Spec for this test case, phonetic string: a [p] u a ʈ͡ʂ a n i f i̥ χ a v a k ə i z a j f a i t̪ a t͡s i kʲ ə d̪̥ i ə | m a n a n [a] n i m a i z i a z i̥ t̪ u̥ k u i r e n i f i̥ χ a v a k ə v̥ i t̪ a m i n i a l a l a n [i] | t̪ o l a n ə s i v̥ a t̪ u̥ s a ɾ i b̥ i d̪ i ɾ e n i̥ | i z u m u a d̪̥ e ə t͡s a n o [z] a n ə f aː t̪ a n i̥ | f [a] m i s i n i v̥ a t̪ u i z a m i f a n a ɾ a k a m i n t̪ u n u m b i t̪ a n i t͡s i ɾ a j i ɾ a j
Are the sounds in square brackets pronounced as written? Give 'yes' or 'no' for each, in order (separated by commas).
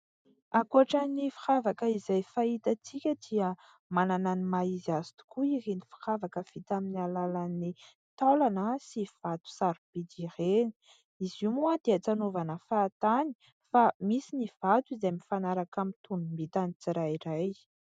no, yes, yes, no, yes